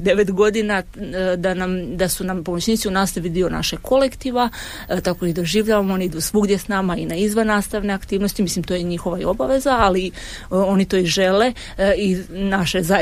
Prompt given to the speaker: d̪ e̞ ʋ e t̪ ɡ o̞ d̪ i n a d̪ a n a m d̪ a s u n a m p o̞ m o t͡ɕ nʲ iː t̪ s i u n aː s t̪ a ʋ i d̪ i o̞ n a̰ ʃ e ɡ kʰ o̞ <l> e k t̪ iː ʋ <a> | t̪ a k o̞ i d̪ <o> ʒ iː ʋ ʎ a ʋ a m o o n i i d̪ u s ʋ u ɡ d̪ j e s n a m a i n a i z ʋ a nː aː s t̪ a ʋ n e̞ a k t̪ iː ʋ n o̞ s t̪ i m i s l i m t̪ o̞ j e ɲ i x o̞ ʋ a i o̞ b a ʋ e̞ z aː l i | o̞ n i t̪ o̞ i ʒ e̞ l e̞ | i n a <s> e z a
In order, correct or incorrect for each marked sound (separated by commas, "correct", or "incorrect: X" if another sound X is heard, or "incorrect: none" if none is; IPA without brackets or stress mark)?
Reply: correct, correct, correct, incorrect: ʃ